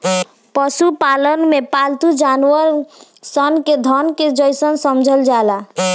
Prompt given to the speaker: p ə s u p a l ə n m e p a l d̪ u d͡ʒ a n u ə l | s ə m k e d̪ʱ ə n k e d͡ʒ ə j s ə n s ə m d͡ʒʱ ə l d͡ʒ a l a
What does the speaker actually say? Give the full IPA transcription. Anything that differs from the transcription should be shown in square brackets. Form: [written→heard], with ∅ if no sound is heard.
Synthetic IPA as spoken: p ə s u p a l ə n m e p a l [d̪→t̪] u d͡ʒ a n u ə [l→ɾ] | s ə [m→n] k e d̪ʱ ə n k e d͡ʒ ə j s ə n s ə m d͡ʒʱ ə l d͡ʒ a l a